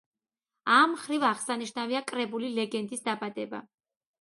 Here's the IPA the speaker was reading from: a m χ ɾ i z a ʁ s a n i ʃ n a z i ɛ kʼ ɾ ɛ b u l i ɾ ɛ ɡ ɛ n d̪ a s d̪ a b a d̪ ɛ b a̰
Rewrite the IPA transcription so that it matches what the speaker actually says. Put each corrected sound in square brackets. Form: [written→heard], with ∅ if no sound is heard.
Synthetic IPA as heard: a m χ ɾ i [z→v] a ʁ s a n i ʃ n a [z→v] i [ɛ→a] kʼ ɾ ɛ b u l i [ɾ→l] ɛ ɡ ɛ n d̪ [a→i] s d̪ a b a d̪ ɛ b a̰